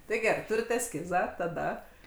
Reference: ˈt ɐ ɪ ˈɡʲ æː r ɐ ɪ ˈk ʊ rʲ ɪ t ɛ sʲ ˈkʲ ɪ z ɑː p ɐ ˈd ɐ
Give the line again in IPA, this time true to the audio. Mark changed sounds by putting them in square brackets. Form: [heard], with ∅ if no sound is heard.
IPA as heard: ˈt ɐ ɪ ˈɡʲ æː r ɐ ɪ [ˈt] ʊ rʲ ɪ t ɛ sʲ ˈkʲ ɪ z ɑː [t] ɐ ˈd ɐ